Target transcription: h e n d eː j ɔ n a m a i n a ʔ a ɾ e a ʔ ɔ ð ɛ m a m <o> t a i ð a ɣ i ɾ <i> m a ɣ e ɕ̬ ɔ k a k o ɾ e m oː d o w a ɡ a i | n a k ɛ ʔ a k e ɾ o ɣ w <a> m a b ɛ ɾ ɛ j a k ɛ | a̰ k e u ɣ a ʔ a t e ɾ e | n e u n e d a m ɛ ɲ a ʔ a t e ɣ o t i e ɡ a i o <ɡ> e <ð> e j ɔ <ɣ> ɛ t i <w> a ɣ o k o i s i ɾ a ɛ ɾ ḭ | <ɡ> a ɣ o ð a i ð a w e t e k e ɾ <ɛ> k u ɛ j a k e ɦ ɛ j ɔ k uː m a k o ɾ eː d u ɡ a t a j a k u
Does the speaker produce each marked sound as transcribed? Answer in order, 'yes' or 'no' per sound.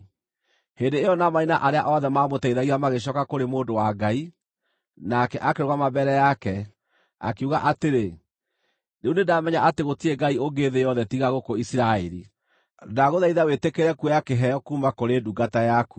yes, no, yes, yes, yes, no, no, no, yes

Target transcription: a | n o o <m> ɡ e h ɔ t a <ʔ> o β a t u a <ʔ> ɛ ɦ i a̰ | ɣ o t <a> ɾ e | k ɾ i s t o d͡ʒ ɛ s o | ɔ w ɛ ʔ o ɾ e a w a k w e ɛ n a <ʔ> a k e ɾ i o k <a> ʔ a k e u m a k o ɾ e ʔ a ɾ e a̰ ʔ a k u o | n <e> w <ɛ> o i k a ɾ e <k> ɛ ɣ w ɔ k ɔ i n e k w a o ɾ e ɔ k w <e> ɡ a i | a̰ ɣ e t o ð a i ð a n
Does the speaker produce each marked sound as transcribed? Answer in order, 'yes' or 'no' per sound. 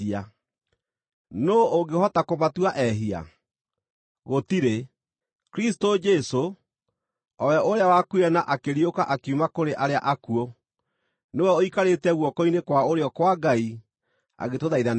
no, no, yes, no, yes, yes, yes, yes, no, no

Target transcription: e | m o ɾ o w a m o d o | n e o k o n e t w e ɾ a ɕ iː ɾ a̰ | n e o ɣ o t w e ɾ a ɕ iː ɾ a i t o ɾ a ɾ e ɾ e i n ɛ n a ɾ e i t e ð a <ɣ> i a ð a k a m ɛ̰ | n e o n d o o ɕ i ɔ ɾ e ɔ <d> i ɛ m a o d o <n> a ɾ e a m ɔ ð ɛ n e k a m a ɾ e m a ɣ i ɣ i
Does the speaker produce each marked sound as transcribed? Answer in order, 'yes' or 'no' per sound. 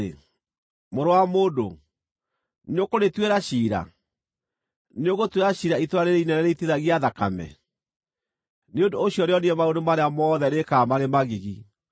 yes, no, no

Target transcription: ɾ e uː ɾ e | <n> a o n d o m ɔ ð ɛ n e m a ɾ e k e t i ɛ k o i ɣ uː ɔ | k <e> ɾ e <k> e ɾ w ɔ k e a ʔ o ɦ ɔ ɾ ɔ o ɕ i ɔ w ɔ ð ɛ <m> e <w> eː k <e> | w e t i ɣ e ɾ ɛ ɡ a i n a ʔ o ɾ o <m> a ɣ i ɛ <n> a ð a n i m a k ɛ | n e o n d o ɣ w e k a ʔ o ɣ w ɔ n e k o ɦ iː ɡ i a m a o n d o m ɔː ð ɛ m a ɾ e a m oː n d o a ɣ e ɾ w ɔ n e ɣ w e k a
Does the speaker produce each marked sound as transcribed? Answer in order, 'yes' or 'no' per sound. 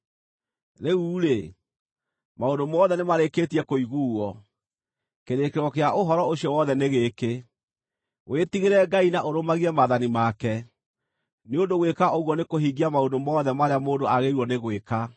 no, yes, yes, no, no, yes, yes, no

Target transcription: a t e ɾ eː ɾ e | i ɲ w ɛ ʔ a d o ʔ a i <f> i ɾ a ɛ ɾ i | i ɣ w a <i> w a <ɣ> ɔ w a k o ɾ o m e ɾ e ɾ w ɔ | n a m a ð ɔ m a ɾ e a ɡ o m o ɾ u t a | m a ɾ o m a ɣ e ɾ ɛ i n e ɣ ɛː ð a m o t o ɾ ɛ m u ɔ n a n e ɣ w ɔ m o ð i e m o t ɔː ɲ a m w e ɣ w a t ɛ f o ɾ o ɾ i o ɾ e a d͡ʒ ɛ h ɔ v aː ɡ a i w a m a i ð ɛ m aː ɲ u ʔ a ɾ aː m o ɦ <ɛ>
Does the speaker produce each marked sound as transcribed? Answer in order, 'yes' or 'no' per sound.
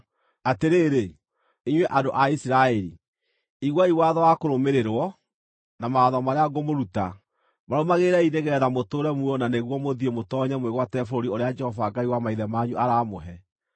no, yes, no, yes

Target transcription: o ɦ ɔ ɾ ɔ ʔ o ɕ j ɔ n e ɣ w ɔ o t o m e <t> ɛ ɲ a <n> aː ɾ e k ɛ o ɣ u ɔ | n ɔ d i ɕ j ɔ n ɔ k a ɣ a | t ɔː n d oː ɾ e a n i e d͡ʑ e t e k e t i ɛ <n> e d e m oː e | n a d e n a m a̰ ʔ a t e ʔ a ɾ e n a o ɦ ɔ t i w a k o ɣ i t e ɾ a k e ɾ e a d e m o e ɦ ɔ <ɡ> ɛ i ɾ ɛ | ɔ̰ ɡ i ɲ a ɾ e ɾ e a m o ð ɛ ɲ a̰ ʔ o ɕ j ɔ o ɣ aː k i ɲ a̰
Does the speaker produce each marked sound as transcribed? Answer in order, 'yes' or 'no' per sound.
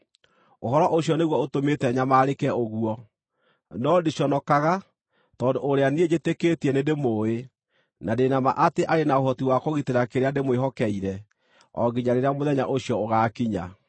yes, no, yes, no

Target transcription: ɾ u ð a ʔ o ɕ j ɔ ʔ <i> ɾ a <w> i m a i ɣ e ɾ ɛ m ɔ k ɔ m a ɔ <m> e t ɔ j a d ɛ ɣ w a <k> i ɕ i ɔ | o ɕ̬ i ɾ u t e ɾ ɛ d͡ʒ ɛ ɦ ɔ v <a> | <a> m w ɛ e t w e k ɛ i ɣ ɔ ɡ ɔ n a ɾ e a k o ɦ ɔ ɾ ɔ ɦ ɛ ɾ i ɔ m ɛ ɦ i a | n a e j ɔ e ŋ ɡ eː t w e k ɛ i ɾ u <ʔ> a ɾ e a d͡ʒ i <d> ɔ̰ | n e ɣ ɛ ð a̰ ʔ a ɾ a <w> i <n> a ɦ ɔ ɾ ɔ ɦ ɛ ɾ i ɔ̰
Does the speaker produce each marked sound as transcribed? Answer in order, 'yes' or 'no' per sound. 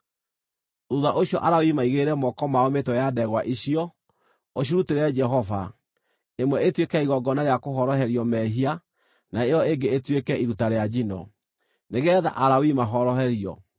no, yes, yes, no, yes, no, no, no, yes, no

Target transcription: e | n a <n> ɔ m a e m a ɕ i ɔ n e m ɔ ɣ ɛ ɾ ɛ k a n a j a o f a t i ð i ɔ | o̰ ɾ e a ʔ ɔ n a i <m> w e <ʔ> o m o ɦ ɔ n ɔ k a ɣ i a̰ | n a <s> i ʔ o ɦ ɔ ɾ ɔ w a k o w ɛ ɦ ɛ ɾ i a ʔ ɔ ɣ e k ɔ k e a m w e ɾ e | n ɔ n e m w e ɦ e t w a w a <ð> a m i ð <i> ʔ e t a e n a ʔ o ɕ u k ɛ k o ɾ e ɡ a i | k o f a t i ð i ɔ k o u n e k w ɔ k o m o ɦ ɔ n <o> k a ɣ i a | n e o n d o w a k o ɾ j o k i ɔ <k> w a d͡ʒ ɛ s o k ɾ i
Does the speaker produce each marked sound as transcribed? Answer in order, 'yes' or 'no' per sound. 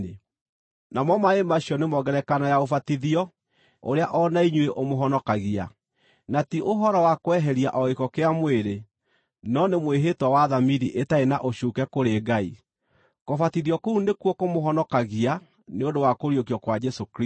no, no, yes, no, yes, yes, no, yes

